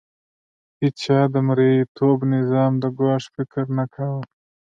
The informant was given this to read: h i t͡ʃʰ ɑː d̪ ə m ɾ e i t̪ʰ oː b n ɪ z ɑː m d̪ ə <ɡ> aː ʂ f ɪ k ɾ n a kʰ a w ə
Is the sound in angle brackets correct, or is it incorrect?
correct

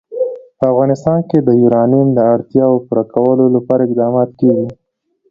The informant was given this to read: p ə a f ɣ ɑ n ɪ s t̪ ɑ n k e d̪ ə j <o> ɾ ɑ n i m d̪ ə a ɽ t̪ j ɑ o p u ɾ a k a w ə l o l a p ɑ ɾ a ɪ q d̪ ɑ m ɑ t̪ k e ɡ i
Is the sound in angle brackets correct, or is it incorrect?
incorrect: u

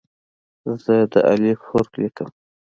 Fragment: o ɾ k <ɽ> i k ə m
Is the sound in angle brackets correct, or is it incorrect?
incorrect: l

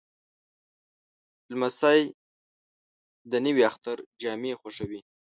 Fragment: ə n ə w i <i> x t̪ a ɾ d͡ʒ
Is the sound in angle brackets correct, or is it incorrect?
incorrect: a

